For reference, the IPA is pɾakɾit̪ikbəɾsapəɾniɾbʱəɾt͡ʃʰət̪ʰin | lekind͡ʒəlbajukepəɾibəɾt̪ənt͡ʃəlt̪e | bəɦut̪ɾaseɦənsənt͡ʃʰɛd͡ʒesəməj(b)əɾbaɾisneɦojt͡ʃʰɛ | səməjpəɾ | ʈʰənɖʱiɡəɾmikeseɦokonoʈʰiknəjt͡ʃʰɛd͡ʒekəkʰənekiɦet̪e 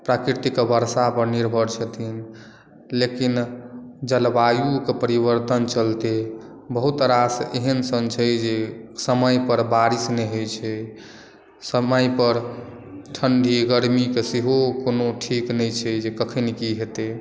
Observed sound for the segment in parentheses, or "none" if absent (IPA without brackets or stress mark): p